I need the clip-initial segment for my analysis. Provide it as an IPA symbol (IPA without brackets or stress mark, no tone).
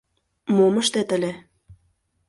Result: m